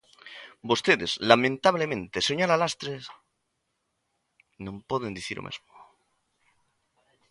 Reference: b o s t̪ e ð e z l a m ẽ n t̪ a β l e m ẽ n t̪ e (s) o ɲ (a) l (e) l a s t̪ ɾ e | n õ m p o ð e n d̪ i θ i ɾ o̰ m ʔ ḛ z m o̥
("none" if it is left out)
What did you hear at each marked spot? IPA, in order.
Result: s, a, a

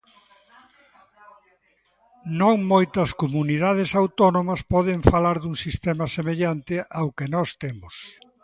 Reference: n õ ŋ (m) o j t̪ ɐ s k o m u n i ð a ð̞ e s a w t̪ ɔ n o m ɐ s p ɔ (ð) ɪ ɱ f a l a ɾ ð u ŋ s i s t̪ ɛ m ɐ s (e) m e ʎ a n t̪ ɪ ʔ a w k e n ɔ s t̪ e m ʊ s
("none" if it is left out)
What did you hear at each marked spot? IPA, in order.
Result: m, ð, e

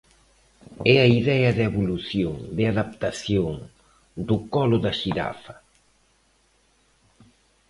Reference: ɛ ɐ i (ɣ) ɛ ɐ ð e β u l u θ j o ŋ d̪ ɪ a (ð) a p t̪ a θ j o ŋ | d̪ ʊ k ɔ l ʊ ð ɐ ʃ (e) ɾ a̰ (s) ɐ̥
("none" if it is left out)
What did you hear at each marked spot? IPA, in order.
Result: ð, ð, i, f

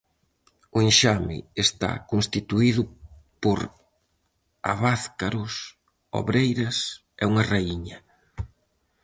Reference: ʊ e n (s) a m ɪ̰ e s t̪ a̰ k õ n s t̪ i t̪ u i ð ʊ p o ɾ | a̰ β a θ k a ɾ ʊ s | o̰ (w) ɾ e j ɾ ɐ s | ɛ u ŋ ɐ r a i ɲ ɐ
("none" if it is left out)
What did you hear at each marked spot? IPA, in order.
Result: ʃ, β

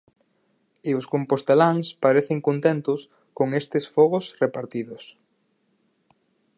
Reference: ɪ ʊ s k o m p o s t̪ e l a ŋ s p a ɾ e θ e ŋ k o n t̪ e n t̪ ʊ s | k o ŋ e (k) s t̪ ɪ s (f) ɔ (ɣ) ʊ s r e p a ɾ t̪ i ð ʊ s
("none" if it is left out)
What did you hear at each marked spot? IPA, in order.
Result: none, f, ɣ

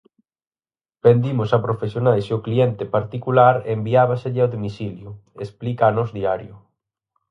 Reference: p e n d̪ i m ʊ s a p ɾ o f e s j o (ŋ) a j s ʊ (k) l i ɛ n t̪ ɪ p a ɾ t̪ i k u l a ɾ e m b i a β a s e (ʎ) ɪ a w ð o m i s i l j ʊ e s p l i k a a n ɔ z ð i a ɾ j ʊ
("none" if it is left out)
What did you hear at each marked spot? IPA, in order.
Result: n, k, ʎ

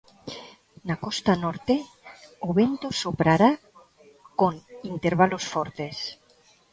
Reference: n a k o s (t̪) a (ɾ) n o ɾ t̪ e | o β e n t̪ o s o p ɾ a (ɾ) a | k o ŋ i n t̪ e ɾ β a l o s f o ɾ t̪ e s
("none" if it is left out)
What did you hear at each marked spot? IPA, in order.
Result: t̪, none, ɾ

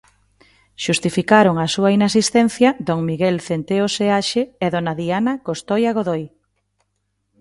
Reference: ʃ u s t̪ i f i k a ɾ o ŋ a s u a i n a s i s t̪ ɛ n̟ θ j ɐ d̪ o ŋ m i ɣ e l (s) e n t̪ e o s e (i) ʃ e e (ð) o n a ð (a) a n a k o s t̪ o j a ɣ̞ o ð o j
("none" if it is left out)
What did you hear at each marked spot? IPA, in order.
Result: θ, a, ð, i

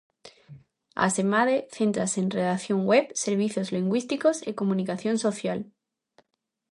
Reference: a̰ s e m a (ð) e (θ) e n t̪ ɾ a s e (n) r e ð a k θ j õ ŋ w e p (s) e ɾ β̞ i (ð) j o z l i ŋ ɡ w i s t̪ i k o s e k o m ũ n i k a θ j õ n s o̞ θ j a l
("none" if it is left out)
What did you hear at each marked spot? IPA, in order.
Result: ð, θ, n, s, θ

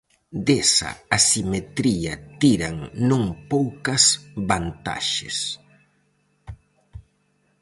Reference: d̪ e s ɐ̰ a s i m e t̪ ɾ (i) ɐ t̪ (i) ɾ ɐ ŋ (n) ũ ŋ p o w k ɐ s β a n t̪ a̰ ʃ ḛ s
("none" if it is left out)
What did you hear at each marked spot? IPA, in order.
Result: i, i, n

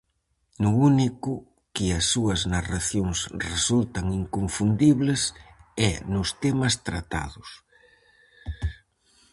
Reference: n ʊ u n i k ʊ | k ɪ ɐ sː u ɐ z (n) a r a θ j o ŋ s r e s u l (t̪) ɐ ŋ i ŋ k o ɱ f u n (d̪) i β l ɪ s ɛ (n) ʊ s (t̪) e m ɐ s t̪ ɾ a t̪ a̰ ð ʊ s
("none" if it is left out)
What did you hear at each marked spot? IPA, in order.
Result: n, t̪, d̪, n, t̪

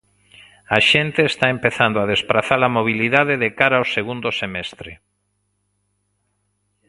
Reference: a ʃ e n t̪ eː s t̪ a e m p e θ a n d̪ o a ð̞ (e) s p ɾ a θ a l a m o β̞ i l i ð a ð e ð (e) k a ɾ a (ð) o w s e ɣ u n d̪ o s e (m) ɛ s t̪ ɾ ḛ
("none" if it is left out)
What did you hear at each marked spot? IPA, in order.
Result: e, e, none, m

